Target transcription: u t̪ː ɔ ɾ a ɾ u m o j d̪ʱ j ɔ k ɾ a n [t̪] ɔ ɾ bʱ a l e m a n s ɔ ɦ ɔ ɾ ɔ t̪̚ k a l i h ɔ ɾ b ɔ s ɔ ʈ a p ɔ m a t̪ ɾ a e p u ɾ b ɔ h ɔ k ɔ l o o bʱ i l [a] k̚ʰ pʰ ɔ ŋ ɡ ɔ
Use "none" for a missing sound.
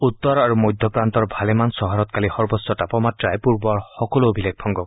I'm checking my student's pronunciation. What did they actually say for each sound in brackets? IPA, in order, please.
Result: t̪, e

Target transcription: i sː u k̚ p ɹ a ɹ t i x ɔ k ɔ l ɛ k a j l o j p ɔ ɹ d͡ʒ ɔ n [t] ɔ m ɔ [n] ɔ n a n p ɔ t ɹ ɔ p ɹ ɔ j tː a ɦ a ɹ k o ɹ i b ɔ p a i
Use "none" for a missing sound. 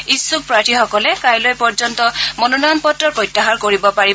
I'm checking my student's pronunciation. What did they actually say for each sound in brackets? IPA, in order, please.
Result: t, n

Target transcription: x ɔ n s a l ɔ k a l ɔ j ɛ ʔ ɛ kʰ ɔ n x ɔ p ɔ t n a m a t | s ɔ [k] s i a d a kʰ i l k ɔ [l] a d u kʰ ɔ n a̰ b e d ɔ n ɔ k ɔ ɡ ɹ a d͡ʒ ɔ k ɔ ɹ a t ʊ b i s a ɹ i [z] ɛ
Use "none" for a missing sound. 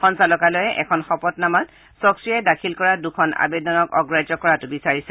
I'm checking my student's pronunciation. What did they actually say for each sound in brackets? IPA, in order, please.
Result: k, ɹ, s

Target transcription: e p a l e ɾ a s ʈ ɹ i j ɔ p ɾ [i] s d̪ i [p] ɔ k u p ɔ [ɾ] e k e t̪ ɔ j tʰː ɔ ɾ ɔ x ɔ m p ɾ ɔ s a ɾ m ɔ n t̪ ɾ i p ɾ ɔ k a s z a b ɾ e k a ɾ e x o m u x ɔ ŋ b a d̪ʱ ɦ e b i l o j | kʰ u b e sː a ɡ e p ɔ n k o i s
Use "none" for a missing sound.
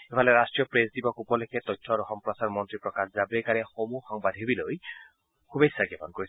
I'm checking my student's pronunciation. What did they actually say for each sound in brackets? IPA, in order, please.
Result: e, b, l

